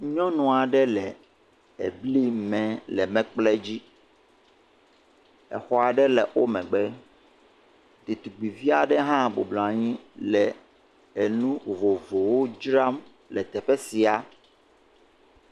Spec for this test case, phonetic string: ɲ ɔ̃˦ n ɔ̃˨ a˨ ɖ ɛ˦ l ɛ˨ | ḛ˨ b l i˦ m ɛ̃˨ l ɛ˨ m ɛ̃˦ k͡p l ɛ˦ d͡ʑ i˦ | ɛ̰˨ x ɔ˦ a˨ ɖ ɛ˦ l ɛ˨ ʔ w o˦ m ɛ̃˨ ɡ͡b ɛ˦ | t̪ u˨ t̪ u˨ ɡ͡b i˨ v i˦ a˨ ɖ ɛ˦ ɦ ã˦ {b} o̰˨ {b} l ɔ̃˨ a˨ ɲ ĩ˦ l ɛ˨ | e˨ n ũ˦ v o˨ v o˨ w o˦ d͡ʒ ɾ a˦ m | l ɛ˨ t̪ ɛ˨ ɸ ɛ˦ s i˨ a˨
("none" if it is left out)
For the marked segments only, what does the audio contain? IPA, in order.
b, b

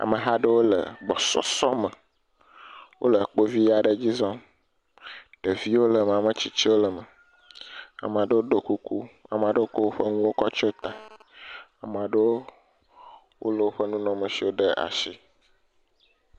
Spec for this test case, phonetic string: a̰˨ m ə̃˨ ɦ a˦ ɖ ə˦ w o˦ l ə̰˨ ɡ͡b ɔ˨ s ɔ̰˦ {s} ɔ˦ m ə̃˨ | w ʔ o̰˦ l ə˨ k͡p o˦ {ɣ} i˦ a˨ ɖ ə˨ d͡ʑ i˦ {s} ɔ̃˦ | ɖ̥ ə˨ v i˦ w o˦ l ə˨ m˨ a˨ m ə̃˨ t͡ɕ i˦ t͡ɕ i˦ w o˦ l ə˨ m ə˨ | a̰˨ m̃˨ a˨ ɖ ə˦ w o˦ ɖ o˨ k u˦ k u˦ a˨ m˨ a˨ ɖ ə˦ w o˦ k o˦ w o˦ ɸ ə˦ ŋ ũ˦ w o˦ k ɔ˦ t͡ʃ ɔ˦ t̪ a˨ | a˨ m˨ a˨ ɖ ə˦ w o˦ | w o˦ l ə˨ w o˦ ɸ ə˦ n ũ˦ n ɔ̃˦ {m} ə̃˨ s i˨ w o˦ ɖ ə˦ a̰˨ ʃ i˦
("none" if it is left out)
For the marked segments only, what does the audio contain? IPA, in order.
s, v, z, m

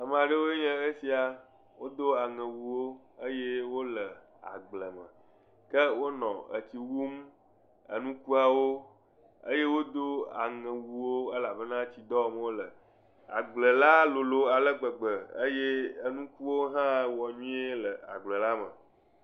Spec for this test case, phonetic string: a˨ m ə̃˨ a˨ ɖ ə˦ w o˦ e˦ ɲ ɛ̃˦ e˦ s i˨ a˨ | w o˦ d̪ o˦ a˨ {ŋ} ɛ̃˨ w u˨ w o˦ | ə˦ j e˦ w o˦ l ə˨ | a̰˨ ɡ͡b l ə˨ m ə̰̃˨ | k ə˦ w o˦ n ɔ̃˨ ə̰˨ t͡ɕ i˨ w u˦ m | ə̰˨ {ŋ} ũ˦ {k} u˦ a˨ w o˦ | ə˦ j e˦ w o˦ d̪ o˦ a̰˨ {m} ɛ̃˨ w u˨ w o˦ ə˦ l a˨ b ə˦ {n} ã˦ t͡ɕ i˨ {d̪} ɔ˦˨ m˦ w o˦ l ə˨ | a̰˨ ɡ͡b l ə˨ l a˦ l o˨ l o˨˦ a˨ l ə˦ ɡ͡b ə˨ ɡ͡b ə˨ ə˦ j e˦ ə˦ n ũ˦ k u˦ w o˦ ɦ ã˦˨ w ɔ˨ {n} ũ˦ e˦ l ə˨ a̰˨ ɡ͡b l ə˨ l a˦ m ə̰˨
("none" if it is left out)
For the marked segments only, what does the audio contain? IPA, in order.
ŋ, n, k, ŋ, n, d̪, ɲ

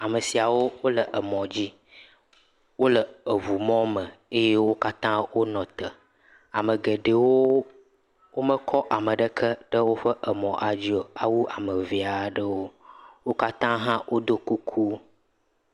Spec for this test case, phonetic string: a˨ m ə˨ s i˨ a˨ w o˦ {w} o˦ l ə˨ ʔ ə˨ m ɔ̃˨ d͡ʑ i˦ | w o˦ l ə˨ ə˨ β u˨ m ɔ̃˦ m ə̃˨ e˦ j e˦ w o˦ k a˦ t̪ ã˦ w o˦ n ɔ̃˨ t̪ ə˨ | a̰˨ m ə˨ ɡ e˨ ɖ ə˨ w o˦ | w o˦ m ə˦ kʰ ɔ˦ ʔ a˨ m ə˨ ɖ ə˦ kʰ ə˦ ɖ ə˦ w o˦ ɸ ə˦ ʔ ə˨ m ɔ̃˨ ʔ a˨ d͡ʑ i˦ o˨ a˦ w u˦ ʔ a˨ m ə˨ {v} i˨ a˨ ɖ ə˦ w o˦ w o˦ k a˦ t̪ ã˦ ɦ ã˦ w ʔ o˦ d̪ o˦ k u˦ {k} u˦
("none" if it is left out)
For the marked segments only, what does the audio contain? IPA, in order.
w, v, kʰ

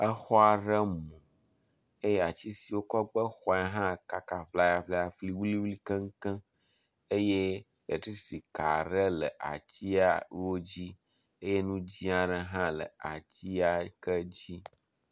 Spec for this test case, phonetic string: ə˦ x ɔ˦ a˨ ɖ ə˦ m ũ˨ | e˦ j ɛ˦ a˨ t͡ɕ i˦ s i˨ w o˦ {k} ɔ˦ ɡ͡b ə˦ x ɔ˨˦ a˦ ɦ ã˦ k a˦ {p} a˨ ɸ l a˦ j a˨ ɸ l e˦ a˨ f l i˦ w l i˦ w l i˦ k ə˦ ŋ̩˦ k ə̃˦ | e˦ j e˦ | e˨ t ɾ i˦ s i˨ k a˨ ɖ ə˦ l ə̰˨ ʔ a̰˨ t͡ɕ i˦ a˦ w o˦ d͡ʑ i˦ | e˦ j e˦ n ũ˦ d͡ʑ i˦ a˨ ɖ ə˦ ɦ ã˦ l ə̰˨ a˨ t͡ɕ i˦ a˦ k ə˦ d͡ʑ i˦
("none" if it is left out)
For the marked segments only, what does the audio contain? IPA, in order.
k, k

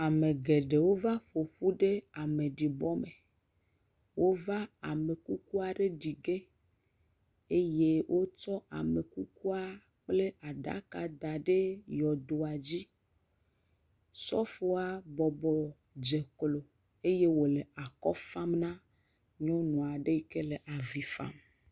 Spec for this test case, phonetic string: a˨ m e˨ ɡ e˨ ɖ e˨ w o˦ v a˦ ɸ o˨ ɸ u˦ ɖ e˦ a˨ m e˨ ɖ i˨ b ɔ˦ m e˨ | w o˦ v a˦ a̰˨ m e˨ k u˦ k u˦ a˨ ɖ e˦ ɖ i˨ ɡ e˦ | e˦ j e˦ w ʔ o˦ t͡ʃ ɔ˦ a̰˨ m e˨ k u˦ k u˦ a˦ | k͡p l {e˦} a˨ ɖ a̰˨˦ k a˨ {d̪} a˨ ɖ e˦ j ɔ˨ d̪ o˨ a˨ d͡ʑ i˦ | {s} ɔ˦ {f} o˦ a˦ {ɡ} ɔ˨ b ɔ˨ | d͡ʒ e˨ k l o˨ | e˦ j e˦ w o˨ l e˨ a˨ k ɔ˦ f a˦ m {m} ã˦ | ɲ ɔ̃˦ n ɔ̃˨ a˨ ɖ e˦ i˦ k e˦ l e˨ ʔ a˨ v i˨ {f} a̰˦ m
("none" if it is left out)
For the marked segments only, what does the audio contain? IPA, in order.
e˦, d̪, s, f, b, n, f

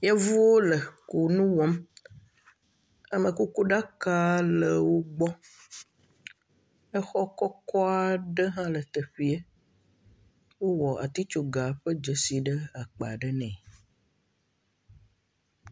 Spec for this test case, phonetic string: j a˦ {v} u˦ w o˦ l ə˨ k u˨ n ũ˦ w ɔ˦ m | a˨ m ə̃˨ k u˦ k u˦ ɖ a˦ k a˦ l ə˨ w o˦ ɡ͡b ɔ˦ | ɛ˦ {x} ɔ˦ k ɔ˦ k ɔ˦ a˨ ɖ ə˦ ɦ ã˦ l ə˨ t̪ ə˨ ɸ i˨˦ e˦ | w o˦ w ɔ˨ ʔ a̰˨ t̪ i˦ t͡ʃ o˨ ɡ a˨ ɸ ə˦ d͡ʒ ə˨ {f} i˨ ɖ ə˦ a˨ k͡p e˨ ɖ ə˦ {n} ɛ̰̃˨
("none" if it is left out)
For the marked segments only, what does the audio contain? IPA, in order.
v, x, s, n

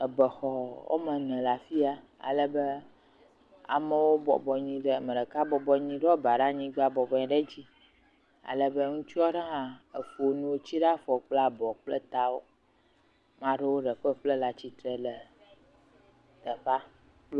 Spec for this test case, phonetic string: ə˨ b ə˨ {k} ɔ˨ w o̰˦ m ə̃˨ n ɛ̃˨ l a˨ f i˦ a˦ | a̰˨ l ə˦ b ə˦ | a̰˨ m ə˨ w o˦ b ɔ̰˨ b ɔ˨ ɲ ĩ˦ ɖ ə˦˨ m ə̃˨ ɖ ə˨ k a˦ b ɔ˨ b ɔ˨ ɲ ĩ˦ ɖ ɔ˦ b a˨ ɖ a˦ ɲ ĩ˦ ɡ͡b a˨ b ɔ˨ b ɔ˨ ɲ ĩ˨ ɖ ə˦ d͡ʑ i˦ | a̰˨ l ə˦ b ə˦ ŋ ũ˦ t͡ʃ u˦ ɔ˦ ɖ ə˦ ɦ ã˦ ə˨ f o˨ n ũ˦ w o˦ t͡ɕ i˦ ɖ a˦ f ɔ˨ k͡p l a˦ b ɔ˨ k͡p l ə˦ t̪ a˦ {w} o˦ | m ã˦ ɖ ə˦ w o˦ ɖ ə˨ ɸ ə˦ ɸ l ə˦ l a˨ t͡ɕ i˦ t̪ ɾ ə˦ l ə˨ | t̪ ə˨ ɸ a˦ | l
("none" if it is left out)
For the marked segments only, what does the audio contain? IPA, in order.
x, w

